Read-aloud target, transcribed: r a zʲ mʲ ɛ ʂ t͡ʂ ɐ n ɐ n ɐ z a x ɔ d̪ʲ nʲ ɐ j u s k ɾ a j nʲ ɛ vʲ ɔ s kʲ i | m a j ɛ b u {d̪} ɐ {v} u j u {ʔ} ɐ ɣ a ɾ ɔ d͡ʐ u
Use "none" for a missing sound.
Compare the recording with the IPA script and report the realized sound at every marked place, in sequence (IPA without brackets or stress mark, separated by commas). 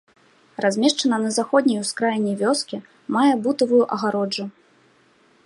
t̪, v, ʔ